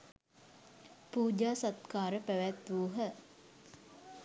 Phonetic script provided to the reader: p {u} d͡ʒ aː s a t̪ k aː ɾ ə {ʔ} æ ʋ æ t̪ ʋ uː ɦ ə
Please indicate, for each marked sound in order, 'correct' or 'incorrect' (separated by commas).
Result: incorrect, incorrect